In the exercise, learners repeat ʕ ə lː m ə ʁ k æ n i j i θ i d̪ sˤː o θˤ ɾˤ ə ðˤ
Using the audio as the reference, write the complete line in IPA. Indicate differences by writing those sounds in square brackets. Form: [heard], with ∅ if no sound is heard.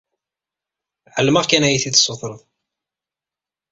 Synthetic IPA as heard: ʕ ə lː m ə ʁ k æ n [æ] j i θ i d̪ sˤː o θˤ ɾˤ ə ðˤ

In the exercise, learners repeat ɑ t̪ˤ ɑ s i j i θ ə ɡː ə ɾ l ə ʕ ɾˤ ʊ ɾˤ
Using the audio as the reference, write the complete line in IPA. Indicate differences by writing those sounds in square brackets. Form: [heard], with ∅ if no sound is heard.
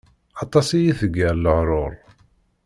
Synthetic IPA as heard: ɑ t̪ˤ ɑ s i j i θ ə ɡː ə ɾ l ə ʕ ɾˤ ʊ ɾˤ

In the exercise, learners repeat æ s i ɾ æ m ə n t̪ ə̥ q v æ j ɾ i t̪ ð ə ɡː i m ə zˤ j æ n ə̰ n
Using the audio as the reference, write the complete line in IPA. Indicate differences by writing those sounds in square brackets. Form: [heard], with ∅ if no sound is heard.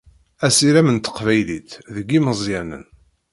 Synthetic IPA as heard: æ s i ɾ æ m ə n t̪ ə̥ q v æ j [l] i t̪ ð ə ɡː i m ə zˤ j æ n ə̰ n

